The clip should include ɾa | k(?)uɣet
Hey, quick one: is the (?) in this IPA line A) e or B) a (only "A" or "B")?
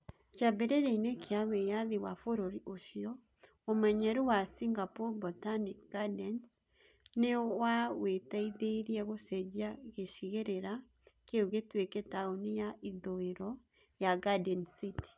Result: A